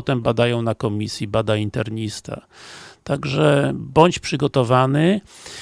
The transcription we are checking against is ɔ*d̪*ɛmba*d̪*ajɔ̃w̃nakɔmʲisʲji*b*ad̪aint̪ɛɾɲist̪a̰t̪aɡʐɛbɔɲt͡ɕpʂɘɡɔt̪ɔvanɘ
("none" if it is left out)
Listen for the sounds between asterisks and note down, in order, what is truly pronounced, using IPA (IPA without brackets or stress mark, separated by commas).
t̪, d̪, b